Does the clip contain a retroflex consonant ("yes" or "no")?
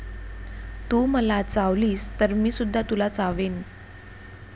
no